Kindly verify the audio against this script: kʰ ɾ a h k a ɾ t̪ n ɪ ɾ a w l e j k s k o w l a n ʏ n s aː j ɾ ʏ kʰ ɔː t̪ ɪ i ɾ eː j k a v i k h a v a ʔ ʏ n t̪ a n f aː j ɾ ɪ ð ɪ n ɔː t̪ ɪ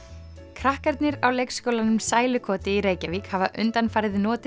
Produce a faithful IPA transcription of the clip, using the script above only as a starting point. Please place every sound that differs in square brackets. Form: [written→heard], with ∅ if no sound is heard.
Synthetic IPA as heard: kʰ ɾ a h k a ɾ t̪ n ɪ ɾ a w l e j k s k o w l a n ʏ [n→m] s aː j [ɾ→l] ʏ kʰ ɔː t̪ ɪ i ɾ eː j [k→c] a v i k h a v a ʔ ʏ n t̪ a n f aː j ɾ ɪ ð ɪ n ɔː t̪ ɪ